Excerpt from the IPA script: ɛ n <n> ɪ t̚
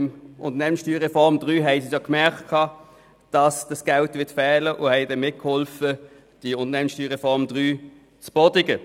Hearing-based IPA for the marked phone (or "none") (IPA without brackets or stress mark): m